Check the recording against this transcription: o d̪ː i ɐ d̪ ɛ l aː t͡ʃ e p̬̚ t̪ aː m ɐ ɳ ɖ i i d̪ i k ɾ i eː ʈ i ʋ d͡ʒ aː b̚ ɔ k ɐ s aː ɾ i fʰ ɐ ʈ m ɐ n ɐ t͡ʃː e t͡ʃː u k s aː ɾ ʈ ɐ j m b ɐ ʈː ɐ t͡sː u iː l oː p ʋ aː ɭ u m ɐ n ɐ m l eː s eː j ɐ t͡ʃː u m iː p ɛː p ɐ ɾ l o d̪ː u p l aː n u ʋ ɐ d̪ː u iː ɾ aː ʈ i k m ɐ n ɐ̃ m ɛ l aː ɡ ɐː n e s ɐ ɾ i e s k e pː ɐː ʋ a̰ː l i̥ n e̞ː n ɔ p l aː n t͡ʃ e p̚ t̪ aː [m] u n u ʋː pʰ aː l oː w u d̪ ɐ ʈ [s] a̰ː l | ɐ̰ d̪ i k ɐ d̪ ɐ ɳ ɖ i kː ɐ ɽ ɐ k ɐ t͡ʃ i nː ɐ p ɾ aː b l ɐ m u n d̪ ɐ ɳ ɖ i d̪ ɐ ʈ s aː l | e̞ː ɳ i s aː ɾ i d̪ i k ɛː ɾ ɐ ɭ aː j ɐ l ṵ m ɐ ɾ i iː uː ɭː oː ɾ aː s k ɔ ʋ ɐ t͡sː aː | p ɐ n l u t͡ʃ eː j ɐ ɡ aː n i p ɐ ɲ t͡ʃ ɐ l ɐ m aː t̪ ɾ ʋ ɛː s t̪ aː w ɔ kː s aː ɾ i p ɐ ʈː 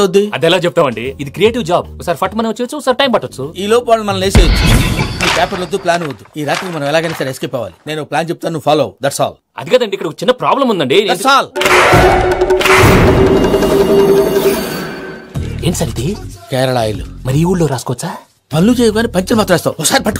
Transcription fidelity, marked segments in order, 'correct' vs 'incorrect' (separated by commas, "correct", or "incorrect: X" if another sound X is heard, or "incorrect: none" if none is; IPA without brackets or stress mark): incorrect: n, correct